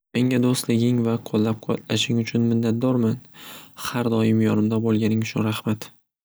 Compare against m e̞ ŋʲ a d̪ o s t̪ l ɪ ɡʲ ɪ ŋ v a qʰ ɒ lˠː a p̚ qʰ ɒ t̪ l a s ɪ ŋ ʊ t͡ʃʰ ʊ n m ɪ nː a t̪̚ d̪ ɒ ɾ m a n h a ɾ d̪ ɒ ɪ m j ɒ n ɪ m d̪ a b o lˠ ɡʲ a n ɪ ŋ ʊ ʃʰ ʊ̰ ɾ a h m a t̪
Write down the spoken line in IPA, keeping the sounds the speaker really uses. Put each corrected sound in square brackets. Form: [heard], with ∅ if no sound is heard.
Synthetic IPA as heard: m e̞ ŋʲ a d̪ o s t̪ l ɪ ɡʲ ɪ ŋ v a qʰ [o] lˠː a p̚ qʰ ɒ t̪ l a [ʃ] ɪ ŋ ʊ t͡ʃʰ ʊ n m ɪ nː a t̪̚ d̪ ɒ ɾ m a n h a ɾ d̪ ɒ ɪ m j ɒ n ɪ m d̪ a b o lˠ ɡʲ a n ɪ ŋ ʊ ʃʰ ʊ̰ ɾ a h m a t̪